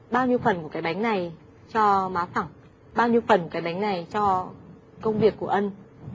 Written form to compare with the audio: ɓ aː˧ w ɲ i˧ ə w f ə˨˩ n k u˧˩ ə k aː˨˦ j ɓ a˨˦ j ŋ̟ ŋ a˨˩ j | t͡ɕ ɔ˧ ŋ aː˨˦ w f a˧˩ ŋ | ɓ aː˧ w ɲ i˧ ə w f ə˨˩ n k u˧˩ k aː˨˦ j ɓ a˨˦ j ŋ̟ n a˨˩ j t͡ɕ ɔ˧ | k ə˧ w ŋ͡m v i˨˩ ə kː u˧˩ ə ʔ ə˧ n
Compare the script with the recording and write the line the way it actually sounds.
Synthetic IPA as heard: ɓ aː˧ w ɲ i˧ ə w f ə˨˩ n k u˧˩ ə k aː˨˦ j ɓ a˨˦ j ŋ̟ n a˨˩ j | t͡ɕ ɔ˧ m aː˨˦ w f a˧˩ ŋ | ɓ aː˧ w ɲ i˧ ə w f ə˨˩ n k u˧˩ k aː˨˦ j ɓ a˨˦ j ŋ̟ n a˨˩ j t͡ɕ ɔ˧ | k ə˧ w ŋ͡m v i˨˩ ə kː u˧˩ ə ʔ ə˧ n